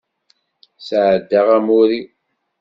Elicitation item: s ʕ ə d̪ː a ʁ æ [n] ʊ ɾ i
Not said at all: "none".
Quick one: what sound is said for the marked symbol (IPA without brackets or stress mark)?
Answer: m